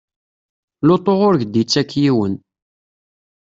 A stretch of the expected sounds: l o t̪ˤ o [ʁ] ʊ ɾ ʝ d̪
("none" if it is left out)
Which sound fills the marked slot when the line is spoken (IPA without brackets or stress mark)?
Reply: ʁ